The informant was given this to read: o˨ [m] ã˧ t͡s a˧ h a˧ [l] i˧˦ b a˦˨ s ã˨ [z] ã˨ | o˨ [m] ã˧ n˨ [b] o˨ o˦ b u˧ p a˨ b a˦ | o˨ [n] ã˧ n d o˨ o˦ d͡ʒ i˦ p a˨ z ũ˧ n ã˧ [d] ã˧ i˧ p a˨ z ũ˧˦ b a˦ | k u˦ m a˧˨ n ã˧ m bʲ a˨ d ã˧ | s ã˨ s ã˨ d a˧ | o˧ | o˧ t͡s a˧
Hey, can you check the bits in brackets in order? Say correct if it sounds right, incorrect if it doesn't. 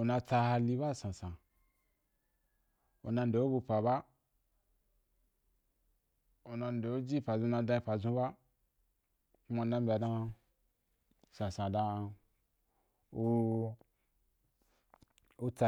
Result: incorrect: n, correct, incorrect: s, incorrect: n, incorrect: d, correct, correct

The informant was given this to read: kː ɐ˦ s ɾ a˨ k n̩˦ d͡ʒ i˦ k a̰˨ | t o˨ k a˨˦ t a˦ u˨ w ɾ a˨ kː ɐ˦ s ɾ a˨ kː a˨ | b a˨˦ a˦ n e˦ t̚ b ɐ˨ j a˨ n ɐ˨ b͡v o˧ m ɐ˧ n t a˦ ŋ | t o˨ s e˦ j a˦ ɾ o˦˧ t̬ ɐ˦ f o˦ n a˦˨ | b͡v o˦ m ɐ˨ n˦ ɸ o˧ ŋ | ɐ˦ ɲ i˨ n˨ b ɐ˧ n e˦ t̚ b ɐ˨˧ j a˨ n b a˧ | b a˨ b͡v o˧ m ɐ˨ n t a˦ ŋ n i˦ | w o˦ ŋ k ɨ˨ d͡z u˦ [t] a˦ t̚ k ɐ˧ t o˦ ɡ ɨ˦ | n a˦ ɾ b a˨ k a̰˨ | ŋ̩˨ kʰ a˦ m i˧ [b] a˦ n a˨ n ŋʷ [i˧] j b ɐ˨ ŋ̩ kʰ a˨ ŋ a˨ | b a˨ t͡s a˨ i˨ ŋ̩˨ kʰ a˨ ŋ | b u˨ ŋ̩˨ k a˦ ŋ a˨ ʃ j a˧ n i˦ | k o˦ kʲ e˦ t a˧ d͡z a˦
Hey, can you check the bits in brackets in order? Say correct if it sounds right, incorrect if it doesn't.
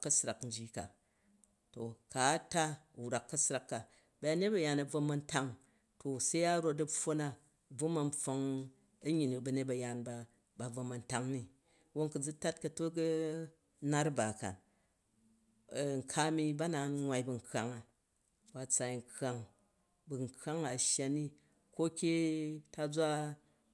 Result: correct, correct, incorrect: a˧

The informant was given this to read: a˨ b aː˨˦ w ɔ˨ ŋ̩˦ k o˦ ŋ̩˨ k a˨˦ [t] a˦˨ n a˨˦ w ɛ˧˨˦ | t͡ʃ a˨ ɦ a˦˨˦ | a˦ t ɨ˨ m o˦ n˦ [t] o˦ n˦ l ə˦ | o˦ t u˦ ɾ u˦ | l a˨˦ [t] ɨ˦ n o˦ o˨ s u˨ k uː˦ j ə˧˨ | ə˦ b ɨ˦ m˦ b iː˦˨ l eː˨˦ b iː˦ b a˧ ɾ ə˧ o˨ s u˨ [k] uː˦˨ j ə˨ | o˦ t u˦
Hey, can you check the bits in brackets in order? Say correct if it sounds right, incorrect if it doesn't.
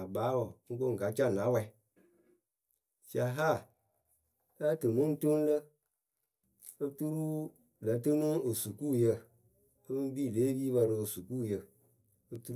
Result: incorrect: t͡ʃ, correct, correct, correct

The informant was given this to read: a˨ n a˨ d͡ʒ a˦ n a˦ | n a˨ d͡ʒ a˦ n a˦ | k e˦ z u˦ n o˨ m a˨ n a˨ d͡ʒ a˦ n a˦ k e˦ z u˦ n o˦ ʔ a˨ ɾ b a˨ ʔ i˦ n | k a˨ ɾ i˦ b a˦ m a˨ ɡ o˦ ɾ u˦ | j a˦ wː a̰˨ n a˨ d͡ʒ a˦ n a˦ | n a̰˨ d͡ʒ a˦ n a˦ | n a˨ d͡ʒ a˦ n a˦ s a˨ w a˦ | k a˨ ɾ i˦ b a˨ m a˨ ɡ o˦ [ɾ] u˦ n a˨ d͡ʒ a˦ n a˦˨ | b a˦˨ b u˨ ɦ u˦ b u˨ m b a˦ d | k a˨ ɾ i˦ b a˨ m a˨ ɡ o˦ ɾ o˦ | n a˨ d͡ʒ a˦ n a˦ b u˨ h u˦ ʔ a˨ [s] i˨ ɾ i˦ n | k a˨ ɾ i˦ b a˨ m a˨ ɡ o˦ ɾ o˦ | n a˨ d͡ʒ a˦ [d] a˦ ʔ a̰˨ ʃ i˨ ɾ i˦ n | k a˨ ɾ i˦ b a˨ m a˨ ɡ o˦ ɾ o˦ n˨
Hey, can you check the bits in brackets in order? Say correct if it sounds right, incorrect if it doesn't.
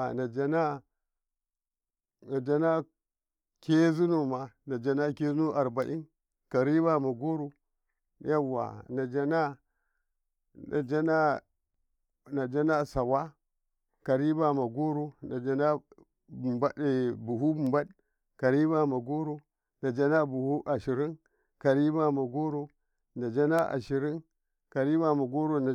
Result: correct, incorrect: ʃ, incorrect: n

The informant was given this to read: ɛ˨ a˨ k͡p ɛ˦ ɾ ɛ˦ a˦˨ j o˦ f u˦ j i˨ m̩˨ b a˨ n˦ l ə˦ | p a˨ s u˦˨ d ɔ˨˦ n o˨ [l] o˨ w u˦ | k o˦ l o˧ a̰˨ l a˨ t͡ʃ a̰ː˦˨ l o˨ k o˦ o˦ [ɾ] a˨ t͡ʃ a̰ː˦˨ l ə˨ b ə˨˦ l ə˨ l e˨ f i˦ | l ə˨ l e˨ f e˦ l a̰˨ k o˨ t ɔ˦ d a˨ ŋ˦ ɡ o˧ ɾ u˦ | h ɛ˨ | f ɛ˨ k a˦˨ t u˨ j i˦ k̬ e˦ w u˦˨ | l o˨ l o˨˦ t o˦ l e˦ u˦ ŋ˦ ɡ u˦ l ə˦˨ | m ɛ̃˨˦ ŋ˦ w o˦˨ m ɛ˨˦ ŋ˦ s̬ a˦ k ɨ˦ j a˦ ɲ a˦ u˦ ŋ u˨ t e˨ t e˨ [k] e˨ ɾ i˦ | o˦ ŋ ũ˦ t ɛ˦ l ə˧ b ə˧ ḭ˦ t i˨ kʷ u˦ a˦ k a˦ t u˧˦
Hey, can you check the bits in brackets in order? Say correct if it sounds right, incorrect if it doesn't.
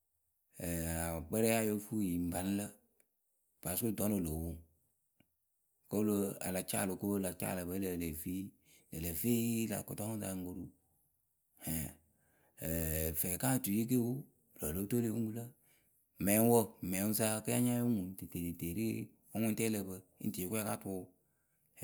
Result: correct, incorrect: l, incorrect: t

